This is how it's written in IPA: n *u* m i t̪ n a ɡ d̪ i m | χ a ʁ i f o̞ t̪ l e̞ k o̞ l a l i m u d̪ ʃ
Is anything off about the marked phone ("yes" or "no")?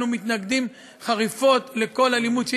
no